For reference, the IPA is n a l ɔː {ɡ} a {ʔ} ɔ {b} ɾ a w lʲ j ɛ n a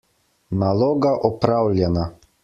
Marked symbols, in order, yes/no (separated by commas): yes, yes, no